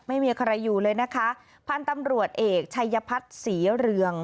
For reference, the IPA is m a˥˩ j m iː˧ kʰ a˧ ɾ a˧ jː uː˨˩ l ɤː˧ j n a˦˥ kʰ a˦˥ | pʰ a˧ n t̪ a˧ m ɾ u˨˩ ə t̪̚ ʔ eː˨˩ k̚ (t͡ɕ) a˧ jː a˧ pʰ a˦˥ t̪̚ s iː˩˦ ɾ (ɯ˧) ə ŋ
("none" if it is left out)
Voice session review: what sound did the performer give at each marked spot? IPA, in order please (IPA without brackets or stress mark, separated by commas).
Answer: t͡ɕʰ, ɯ˧